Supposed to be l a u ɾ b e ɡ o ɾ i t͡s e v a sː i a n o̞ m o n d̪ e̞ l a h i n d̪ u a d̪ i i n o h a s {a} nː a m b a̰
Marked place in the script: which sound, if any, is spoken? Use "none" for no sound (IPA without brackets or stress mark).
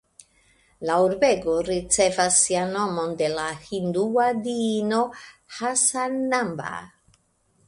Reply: a